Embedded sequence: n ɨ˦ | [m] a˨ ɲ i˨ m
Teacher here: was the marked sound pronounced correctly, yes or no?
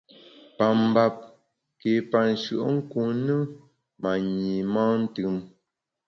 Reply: yes